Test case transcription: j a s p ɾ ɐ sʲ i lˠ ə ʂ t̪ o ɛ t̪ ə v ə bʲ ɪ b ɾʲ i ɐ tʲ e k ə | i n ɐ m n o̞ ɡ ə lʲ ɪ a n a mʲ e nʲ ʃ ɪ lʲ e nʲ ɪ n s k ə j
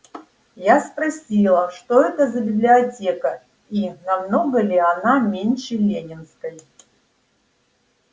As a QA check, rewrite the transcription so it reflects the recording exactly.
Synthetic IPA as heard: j a s p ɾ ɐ sʲ i lˠ ə ʂ t̪ o ɛ t̪ ə z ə bʲ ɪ b lʲ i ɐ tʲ e k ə | i n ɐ m n o̞ ɡ ə lʲ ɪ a n a mʲ e nʲ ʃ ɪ lʲ e nʲ ɪ n s k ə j